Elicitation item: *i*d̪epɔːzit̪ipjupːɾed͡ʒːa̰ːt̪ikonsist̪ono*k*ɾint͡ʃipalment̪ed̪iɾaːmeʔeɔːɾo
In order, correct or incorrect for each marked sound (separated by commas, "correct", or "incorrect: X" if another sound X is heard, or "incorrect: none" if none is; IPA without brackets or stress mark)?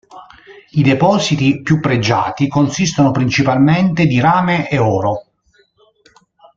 correct, incorrect: p